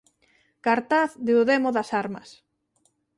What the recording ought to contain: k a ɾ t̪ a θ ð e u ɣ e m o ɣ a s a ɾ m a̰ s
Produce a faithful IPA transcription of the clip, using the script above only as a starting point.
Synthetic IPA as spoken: k a ɾ t̪ a θ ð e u ð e m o ð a s a ɾ m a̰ s